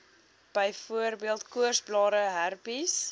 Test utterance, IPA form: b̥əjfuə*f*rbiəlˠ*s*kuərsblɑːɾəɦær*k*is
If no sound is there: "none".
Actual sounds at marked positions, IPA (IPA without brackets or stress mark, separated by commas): none, t, p